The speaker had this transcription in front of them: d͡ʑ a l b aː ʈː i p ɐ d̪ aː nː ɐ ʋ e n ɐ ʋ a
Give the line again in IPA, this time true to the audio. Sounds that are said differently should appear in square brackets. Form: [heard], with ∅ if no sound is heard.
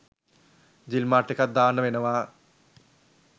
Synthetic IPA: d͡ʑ [i] l [m] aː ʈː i [k] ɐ d̪ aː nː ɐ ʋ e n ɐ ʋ a